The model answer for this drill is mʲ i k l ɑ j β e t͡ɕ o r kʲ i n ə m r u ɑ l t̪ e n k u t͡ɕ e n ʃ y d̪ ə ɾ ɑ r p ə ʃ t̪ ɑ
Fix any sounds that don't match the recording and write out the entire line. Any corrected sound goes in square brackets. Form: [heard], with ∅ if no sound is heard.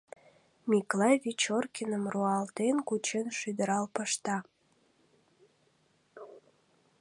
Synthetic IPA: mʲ i k l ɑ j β [i] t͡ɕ o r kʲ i n ə m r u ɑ l t̪ e n k u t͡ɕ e n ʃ y d̪ ə ɾ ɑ [l] p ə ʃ t̪ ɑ